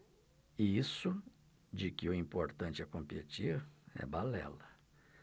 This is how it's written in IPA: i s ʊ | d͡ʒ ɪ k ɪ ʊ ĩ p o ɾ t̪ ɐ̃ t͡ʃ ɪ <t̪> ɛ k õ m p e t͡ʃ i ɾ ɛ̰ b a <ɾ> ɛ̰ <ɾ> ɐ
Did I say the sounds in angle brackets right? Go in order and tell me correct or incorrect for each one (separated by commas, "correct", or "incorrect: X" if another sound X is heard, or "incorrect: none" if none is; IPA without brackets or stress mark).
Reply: incorrect: none, incorrect: l, incorrect: l